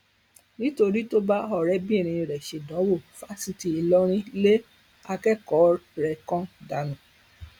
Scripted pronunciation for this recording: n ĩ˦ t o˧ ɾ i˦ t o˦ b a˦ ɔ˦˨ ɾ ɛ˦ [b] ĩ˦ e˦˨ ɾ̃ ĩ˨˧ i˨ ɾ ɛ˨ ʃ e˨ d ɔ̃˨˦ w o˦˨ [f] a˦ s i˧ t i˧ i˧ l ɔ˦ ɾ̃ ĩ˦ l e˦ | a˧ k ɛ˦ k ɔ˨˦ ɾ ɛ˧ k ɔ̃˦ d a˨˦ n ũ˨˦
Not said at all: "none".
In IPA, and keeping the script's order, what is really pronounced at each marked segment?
b, f

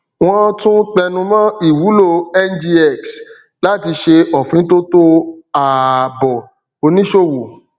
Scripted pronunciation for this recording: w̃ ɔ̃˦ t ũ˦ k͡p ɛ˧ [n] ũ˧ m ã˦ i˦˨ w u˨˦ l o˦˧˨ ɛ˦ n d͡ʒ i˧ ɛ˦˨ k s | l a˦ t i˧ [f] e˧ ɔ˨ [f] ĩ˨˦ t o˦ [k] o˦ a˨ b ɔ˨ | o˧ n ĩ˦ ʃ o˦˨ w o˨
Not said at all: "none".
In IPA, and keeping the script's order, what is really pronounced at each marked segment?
n, ʃ, f, t

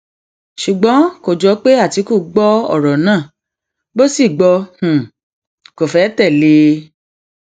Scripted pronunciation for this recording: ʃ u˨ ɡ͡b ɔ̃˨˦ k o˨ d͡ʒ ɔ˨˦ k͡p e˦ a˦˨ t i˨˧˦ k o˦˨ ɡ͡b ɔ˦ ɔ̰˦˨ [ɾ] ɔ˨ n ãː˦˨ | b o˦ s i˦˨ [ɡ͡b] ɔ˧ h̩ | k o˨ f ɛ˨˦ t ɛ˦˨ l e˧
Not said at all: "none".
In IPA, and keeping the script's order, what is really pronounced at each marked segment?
ɾ, ɡ͡b

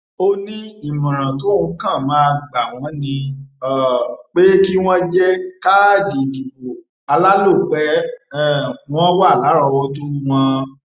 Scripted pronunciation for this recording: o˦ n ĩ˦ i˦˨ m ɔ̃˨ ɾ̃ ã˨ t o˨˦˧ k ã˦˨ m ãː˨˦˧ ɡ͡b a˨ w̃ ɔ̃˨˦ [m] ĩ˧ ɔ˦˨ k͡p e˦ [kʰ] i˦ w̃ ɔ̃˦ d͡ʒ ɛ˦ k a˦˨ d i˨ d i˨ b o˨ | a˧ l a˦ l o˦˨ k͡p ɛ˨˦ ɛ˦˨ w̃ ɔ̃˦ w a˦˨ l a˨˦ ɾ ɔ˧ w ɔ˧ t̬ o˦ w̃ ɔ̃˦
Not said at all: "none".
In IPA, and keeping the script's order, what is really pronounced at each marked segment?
n, k

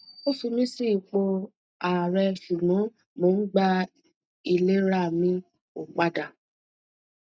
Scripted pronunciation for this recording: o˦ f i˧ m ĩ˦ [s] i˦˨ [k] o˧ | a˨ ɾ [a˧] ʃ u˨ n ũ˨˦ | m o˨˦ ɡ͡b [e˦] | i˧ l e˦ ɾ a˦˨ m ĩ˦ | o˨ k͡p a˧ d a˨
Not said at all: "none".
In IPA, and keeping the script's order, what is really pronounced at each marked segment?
s, k͡p, ɛ˧, a˦

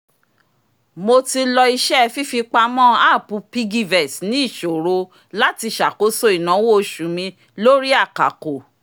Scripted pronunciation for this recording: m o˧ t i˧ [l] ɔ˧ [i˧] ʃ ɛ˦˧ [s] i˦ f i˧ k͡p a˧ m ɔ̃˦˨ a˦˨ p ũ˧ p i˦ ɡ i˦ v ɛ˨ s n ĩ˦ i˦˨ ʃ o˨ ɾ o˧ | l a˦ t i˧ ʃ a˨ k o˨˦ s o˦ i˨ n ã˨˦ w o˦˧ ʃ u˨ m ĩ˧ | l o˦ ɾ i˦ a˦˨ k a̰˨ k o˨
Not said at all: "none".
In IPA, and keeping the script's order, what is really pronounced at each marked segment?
l, i˧, f

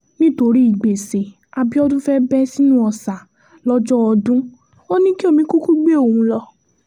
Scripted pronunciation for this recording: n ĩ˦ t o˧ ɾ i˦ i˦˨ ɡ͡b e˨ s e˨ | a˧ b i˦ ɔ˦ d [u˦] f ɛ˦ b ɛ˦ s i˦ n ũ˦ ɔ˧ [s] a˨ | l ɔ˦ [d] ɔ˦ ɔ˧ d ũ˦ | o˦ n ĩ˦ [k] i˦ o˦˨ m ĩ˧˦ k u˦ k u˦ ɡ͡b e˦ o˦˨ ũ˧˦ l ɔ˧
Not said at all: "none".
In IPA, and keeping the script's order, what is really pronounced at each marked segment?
ũ˦, s, d͡ʒ, k

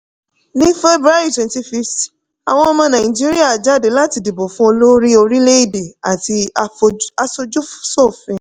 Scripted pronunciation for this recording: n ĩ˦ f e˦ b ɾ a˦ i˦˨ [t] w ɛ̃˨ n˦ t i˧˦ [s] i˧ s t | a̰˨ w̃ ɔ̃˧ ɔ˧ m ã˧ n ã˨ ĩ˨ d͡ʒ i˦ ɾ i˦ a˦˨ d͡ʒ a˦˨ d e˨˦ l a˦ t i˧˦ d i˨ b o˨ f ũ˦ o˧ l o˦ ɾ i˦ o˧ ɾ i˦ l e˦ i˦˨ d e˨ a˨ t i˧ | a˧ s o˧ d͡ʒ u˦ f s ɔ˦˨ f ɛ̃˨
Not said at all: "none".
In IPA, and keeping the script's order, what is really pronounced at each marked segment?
t, f

